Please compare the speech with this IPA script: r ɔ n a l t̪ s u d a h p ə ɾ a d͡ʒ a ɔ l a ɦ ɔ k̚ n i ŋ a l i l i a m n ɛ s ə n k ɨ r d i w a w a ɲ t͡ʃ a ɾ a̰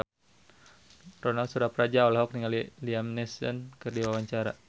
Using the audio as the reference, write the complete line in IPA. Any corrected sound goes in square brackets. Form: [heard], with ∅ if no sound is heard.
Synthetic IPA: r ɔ n a l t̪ s u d a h p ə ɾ a d͡ʒ a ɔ l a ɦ ɔ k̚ n i ŋ a l i l i a m n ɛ s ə n k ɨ r d i w a w a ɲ t͡ʃ a ɾ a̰